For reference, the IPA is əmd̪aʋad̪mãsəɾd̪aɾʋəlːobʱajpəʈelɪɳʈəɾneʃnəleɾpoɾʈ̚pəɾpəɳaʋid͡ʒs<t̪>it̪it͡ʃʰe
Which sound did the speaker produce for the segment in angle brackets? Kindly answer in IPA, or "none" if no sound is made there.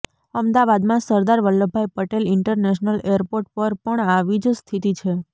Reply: t̪ʰ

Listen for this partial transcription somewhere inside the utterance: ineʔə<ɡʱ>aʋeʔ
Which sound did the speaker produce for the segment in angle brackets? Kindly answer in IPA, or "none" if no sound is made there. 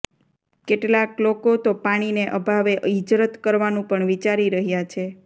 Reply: bʱ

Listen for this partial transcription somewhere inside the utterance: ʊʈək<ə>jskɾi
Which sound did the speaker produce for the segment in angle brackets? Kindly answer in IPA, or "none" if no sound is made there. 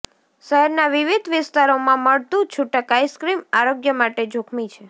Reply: a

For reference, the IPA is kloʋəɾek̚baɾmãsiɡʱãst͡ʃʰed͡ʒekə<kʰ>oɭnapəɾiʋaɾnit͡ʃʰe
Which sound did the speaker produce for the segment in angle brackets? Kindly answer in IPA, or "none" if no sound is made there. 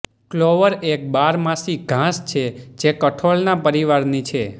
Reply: ʈʰ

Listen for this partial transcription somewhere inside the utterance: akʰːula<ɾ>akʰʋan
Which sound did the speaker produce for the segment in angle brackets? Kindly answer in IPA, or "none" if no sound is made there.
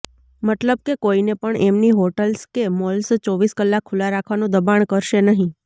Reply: ɾ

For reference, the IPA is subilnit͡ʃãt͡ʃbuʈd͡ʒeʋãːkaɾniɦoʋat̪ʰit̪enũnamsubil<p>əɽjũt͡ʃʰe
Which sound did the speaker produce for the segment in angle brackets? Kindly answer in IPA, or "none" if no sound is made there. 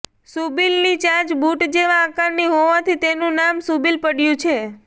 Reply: p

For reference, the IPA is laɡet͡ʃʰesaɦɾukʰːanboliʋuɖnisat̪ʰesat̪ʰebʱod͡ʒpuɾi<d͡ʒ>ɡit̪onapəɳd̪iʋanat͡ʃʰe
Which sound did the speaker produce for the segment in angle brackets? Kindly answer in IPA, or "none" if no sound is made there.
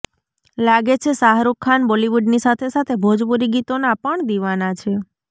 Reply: none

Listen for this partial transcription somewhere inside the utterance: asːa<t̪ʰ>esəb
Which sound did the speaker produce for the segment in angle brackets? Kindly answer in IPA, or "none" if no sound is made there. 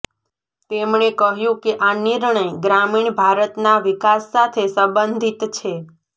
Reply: t̪ʰ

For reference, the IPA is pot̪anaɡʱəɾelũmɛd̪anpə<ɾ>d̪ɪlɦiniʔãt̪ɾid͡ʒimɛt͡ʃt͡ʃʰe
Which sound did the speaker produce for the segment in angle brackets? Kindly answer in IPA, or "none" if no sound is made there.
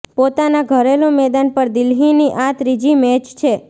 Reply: ɾ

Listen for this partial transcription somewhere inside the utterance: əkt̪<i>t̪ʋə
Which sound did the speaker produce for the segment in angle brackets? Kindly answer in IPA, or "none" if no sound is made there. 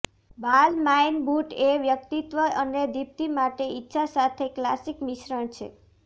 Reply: i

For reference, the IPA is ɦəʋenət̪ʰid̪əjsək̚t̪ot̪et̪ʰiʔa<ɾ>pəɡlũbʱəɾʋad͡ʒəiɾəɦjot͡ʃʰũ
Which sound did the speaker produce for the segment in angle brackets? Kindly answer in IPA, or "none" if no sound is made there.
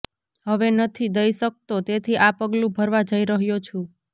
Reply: none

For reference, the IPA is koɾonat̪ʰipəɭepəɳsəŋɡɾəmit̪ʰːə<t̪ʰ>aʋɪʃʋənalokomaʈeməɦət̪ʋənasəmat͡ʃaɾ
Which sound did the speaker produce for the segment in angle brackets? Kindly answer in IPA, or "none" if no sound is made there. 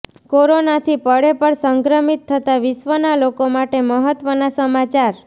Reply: t̪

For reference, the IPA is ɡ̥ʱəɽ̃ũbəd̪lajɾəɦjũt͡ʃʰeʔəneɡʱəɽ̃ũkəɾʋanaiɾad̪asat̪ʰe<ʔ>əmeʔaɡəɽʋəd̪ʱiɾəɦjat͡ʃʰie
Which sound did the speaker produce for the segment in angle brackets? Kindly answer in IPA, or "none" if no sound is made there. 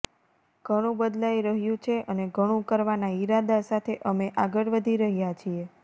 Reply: ʔ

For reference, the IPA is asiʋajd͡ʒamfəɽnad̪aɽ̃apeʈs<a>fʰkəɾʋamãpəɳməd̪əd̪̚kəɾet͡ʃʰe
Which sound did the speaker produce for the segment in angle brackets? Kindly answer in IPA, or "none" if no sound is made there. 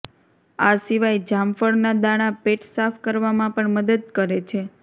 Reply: a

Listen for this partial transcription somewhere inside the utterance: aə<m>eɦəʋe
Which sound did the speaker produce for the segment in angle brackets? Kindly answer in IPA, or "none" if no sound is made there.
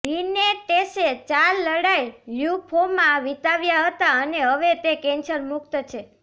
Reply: n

